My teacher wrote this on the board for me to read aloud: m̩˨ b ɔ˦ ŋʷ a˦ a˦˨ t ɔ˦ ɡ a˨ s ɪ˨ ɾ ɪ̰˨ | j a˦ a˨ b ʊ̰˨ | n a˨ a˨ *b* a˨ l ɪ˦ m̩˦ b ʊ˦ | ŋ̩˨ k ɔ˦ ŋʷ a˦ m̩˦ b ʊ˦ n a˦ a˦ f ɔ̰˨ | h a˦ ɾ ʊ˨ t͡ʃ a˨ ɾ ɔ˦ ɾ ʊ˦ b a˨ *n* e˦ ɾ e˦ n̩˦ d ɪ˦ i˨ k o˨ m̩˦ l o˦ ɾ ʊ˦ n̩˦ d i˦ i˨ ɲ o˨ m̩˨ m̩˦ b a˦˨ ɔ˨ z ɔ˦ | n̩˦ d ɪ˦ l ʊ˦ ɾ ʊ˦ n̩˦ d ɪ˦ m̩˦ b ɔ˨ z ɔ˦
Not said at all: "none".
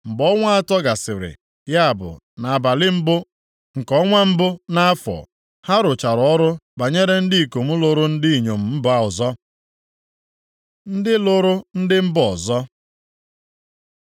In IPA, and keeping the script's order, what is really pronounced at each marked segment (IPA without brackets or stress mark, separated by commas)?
b, ɲ